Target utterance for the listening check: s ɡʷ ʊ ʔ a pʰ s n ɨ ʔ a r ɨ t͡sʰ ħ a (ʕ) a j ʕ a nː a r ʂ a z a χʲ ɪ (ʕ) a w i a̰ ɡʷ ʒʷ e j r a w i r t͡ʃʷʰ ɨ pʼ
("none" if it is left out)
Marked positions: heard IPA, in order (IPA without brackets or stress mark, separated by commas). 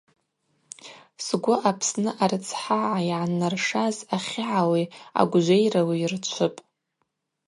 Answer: ʕ, ʕ